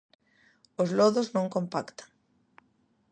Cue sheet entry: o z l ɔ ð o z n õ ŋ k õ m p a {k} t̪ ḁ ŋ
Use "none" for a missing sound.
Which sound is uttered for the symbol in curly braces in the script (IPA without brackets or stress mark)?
k